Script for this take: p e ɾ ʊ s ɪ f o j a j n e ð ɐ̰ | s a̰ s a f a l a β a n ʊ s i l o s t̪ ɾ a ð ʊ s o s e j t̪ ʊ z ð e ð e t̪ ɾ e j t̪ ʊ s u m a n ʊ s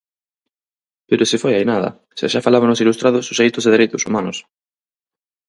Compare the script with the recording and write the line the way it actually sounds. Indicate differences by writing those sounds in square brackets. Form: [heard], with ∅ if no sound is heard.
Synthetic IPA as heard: p e ɾ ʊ s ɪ f o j a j n [a] ð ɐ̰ | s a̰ [ʃ] a f a l a β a n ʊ s i l [u] s t̪ ɾ a ð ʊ s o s e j t̪ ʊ z ð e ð e [∅] ɾ e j t̪ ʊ s u m a n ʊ s

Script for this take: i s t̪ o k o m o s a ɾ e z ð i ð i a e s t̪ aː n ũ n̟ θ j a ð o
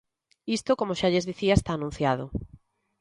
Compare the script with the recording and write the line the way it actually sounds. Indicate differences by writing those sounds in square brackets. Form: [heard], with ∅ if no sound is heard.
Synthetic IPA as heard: i s t̪ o k o m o [ʃ] a [ʎ] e z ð i [θ] i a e s t̪ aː n ũ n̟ θ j a ð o

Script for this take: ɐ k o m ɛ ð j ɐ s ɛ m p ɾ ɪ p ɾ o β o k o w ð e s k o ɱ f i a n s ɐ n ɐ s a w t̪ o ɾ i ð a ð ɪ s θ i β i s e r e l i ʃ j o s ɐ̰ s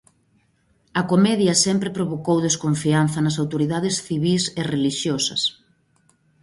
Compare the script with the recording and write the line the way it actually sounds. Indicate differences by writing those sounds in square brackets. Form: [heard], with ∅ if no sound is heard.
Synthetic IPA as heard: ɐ k o m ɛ ð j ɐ s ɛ m p ɾ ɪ p ɾ o β o k o w ð e s k o ɱ f i a n [θ] ɐ n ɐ s a w t̪ o ɾ i ð a ð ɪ s θ i β i s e r e l i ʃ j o s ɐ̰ s

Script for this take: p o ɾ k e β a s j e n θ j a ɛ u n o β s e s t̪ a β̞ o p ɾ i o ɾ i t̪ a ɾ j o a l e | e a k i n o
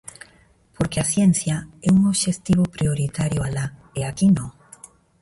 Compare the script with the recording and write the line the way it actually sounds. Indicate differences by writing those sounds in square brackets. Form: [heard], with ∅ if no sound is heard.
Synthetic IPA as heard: p o ɾ k e [∅] a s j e n θ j a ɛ u [ŋ] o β [ʃ] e s t̪ [i] β̞ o p ɾ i o ɾ i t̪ a ɾ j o a l [a] | e a k i n o

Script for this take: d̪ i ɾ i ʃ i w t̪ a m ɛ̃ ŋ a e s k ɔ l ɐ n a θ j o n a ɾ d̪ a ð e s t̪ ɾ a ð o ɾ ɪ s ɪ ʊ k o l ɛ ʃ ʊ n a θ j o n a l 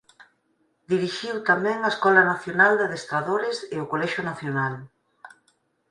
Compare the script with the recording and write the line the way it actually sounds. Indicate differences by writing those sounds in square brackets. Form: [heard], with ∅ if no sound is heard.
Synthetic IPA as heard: d̪ i ɾ i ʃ i w t̪ a m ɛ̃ ŋ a e s k ɔ l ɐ n a θ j o n a [l] d̪ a ð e s t̪ ɾ a ð o ɾ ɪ s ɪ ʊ k o l ɛ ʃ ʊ n a θ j o n a l

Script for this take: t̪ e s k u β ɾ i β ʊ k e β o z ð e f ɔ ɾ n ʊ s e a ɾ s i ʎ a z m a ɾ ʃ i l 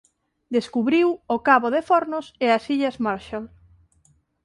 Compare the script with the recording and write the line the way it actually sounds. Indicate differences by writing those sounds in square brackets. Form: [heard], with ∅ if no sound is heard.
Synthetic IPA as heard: [d̪] e s k u β ɾ i [w] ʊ k [a] β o [∅] ð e f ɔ ɾ n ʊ s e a [∅] s i ʎ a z m a ɾ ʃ [a] l

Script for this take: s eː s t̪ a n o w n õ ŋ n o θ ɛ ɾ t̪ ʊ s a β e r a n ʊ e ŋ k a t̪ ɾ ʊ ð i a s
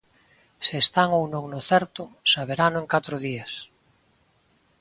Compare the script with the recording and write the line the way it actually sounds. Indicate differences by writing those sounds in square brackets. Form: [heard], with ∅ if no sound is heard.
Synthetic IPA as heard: s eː s t̪ a [ŋ] o w n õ ŋ n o θ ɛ ɾ t̪ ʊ s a β e [ɾ] a n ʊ e ŋ k a t̪ ɾ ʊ ð i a s

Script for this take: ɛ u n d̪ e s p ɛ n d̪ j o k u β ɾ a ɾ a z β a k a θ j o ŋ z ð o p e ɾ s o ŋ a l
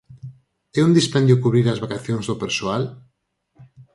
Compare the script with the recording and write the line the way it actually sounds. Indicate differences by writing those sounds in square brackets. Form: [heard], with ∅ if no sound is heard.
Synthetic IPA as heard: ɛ u n d̪ [i] s p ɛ n d̪ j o k u β ɾ [i] ɾ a z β a k a θ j o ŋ z ð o p e ɾ s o [∅] a l

